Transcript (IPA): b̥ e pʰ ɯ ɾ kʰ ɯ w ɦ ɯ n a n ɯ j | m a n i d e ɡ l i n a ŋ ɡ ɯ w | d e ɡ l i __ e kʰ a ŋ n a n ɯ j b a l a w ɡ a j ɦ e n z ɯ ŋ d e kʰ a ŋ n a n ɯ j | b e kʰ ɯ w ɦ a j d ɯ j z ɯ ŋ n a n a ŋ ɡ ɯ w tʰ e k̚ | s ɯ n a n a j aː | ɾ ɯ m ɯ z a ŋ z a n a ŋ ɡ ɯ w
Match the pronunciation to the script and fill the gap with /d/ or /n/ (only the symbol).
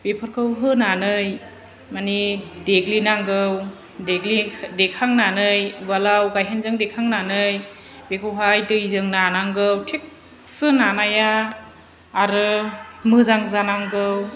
d